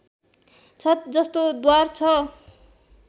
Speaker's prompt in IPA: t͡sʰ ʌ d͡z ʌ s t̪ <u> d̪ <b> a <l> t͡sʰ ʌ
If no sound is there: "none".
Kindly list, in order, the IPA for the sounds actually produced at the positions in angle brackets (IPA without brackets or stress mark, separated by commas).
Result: o, w, r